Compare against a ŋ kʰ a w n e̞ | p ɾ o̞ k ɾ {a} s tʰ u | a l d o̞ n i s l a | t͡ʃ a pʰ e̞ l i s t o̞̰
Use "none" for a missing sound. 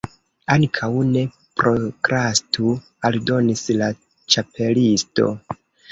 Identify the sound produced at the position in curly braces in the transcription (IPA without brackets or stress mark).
a